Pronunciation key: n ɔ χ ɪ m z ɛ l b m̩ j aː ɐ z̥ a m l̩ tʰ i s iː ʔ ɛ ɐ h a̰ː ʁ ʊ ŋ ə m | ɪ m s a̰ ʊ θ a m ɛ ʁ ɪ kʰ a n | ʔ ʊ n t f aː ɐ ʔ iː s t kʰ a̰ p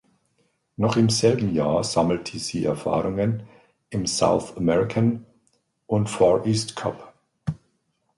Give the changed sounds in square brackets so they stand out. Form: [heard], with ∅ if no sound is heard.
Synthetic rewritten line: n ɔ χ ɪ m z ɛ l b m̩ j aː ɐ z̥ a m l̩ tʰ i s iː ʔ ɛ ɐ [f] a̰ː ʁ ʊ ŋ ə [n] | ɪ m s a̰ ʊ θ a m ɛ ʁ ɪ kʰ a n | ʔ ʊ n t f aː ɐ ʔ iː s t kʰ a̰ p